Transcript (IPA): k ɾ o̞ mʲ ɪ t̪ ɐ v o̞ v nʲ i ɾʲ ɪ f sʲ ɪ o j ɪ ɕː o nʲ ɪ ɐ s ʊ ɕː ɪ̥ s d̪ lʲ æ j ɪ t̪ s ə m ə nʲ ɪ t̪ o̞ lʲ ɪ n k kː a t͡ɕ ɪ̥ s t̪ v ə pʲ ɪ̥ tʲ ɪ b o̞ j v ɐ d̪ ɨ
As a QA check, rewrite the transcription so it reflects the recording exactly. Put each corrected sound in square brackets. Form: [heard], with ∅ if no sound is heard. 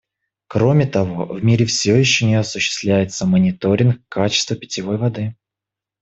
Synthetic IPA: k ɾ o̞ mʲ ɪ t̪ ɐ v o̞ v [mʲ] i ɾʲ ɪ f sʲ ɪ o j ɪ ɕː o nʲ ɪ ɐ s ʊ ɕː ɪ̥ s [t̪] lʲ æ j ɪ t̪ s ə m ə nʲ ɪ t̪ o̞ [ɾʲ] ɪ n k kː a t͡ɕ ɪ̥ s t̪ v ə pʲ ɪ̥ tʲ ɪ [v] o̞ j v ɐ d̪ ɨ